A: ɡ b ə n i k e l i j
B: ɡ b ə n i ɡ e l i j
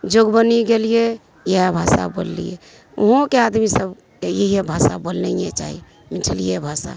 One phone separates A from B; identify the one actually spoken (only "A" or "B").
B